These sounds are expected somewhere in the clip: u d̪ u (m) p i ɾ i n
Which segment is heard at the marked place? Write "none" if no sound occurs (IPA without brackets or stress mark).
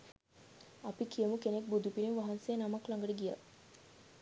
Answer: none